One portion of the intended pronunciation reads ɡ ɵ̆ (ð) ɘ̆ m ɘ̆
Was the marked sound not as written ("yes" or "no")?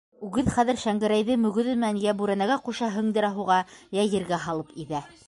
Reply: no